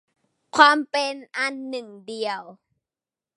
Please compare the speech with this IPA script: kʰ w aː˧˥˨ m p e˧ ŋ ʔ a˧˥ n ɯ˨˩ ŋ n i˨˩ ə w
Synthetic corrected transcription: kʰ w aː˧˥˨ m p e˧ n ʔ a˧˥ nː ɯ˨˩ ŋ d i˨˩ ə w